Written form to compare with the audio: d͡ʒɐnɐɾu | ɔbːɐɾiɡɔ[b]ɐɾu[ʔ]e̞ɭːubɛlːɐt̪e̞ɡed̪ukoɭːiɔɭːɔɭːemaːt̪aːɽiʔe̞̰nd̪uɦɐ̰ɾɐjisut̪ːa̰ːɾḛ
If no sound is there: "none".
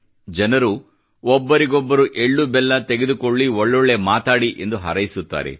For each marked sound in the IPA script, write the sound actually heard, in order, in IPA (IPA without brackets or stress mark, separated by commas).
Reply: bː, ʔ